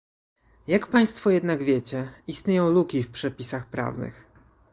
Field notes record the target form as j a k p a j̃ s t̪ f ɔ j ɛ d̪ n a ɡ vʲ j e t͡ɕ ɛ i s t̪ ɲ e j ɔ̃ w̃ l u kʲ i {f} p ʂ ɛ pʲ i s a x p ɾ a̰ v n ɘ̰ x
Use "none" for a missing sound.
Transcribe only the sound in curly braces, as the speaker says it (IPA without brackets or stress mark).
f